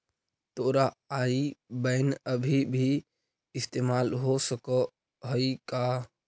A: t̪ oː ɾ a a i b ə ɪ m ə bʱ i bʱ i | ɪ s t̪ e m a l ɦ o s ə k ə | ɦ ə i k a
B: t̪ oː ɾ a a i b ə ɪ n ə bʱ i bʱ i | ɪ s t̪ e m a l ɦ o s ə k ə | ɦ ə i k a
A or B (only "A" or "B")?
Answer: B